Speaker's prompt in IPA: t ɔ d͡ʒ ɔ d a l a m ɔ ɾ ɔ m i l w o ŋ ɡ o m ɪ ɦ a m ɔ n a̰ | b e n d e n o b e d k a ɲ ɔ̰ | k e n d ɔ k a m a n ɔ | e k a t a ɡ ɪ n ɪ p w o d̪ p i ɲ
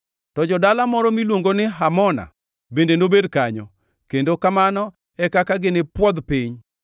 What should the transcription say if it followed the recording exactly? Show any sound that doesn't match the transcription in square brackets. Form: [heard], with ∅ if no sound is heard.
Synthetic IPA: t ɔ d͡ʒ ɔ d a l a m ɔ ɾ ɔ m i l w o ŋ ɡ o [n] ɪ ɦ a m ɔ n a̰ | b e n d e n o b e d k a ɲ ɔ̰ | k e n d [o] k a m a n ɔ | [ɛ] k a [k] a ɡ ɪ n ɪ p w [ɔ] d̪ p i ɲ

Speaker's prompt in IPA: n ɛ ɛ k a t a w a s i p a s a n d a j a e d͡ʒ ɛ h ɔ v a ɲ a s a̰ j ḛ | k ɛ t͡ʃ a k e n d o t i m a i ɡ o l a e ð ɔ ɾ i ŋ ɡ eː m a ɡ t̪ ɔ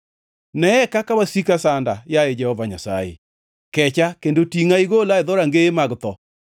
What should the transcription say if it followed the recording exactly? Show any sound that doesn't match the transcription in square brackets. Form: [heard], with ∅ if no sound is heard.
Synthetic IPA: n ɛ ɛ k a [k] a w a s i [k] a s a n d a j a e d͡ʒ ɛ h ɔ v a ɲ a s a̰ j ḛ | k ɛ t͡ʃ a k e n d o t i [ŋ] a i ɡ o l a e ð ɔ ɾ [a] ŋ ɡ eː m a ɡ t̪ ɔ

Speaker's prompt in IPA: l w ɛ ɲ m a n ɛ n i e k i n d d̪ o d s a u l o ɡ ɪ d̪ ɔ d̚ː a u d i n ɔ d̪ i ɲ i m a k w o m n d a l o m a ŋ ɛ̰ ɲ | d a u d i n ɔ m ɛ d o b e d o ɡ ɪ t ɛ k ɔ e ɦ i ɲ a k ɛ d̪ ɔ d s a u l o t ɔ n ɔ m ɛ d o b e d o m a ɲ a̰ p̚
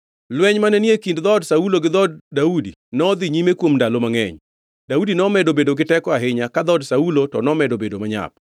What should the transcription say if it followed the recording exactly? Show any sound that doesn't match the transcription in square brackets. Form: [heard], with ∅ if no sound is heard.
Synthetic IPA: l w ɛ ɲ m a n ɛ n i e k i n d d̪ [ɔ] d s a u l o ɡ ɪ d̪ ɔ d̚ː a u d i n ɔ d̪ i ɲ i m [e] k w o m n d a l o m a ŋ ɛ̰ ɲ | d a u d i n ɔ m ɛ d o b e d o ɡ ɪ t ɛ k ɔ [a] ɦ [ɪ] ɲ a k [a] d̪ ɔ d s a u l o t ɔ n ɔ m ɛ d o b e d o m a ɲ a̰ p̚

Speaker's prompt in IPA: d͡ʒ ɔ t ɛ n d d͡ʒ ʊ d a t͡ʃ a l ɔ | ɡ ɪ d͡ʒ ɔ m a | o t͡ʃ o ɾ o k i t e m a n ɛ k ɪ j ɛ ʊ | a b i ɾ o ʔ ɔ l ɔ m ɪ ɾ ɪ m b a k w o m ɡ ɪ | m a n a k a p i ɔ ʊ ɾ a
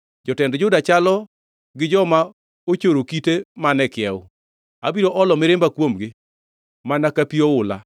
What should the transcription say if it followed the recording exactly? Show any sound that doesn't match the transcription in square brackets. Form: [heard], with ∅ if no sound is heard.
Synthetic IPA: d͡ʒ ɔ t ɛ n d d͡ʒ ʊ d a t͡ʃ a l ɔ | ɡ ɪ d͡ʒ ɔ m a | o t͡ʃ o ɾ o k i t e m a n ɛ k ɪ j ɛ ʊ | a b i ɾ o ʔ ɔ l ɔ m ɪ ɾ ɪ m b a k w o m ɡ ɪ | m a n a k a p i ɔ ʊ [l] a

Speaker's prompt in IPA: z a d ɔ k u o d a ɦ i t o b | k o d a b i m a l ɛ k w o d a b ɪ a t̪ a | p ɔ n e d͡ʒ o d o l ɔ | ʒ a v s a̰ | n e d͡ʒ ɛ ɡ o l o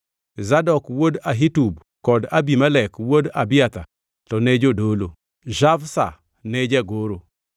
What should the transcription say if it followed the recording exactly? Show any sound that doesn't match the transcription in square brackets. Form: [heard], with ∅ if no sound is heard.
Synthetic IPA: z a d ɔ k [w] o d a ɦ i t [u] b | k [ɔ] d a b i m a l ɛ k w o d a b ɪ a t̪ a | [t] ɔ n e d͡ʒ o d o l [o] | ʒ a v s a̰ | n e d͡ʒ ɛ ɡ o [ɾ] o

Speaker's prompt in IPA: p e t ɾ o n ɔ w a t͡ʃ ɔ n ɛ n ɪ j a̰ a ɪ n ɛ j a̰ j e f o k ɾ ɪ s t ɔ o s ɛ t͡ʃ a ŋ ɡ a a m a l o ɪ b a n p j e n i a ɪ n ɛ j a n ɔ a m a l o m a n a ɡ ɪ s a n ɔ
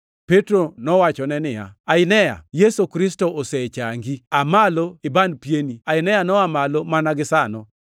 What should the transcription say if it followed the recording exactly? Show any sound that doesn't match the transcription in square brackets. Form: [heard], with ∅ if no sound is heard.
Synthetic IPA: p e t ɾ o n ɔ w a t͡ʃ ɔ n ɛ n ɪ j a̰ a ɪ n ɛ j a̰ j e [s] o k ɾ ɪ s t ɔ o s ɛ t͡ʃ a ŋ ɡ [i] a m a l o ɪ b a n p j e n i a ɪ n ɛ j a n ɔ a m a l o m a n a ɡ ɪ s a n ɔ

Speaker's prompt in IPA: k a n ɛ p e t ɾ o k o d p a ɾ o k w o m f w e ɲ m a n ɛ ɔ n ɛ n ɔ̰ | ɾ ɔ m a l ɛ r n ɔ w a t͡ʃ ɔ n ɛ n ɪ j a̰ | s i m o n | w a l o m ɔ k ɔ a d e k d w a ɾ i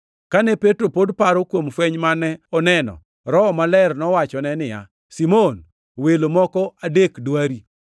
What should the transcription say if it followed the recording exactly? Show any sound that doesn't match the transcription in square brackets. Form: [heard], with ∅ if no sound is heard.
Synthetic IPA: k a n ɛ p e t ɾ o [p] o d p a ɾ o k w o m f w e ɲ m a n ɛ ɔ n ɛ n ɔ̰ | ɾ ɔ m a l ɛ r n ɔ w a t͡ʃ ɔ n ɛ n ɪ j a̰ | s i m o n | w [e] l o m ɔ k ɔ a d e k d w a ɾ i

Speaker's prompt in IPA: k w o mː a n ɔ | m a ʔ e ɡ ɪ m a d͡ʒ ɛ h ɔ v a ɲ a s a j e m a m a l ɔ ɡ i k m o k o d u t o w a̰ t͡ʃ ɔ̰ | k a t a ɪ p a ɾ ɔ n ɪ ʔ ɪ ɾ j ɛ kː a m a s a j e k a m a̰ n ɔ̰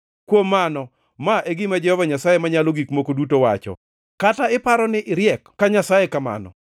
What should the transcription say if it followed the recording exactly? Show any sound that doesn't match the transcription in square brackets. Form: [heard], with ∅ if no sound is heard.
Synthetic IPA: k w o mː a n ɔ | m a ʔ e ɡ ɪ m a d͡ʒ ɛ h ɔ v a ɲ a s a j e m a [ɲ] a l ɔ ɡ i k m o k o d u t o w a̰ t͡ʃ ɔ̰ | k a t a ɪ p a ɾ ɔ n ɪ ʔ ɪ ɾ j ɛ kː a [ɲ] a s a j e k a m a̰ n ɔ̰

